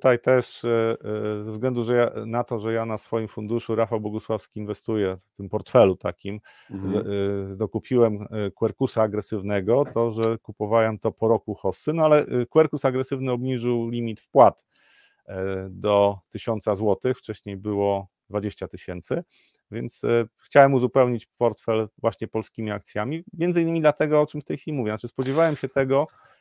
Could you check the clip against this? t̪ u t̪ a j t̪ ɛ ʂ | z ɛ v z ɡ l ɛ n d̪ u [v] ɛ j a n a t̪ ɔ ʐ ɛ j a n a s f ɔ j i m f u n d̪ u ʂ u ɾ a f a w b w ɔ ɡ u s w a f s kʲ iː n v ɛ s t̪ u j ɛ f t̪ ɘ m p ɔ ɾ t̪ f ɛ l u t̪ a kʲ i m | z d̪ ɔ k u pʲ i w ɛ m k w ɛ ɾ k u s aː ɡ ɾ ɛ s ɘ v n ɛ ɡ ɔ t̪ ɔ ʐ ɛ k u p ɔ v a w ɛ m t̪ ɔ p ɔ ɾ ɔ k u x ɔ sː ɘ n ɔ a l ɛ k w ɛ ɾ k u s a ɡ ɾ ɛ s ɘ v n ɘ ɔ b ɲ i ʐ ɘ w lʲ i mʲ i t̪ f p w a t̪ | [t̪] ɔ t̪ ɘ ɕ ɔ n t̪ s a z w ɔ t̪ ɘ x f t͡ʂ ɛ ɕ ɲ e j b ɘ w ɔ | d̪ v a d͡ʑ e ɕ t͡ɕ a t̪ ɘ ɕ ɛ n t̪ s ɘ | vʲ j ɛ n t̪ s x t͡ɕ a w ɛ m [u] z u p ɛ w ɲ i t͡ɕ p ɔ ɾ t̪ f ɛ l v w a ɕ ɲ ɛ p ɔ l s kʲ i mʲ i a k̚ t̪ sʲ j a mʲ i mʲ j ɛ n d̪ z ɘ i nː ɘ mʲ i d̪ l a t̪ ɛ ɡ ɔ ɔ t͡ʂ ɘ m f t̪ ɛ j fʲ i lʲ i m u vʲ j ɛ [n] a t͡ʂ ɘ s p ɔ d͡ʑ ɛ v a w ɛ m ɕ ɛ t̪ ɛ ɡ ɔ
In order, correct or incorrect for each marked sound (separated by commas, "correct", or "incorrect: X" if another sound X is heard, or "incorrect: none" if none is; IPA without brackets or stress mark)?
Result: incorrect: ʐ, incorrect: d̪, correct, correct